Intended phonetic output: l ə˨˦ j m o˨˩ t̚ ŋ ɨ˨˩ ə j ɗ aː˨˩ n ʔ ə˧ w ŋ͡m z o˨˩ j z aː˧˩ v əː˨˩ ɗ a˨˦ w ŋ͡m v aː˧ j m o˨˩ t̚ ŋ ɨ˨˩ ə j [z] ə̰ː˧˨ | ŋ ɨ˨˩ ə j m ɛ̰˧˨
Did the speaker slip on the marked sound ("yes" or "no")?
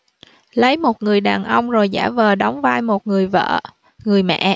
yes